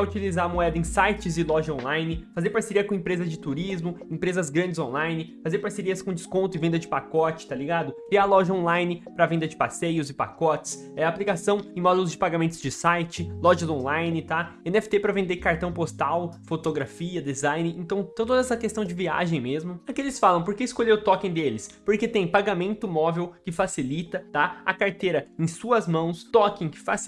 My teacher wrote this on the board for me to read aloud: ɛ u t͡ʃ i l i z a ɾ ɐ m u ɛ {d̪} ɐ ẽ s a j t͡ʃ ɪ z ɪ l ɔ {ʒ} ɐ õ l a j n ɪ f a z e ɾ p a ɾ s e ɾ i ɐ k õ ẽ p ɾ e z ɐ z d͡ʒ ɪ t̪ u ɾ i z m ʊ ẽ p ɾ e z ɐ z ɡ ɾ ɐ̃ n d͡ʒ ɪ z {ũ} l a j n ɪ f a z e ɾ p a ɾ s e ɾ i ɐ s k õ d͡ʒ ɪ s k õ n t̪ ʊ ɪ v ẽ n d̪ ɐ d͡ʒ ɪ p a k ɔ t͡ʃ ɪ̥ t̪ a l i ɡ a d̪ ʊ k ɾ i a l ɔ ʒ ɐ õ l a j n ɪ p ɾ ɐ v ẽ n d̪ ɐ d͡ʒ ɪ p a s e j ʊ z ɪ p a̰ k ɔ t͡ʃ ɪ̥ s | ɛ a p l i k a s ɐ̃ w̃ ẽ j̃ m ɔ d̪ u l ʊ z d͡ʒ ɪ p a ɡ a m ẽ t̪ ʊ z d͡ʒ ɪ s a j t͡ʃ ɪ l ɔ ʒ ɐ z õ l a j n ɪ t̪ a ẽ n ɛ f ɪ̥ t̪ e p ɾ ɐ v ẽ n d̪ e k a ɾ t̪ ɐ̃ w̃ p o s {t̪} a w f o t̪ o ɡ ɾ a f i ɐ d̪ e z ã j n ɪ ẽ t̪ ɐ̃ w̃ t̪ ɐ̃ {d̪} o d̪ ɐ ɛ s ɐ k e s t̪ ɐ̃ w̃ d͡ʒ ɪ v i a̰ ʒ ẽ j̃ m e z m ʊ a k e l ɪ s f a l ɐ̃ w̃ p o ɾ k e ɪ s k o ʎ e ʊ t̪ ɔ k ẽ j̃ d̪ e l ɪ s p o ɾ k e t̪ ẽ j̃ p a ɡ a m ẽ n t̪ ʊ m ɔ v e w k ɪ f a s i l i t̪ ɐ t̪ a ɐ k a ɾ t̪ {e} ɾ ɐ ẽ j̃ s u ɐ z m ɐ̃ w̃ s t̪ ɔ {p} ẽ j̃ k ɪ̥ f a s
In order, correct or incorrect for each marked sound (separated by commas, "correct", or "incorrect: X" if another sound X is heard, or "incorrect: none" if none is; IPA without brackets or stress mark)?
correct, correct, incorrect: õ, correct, incorrect: t̪, correct, incorrect: k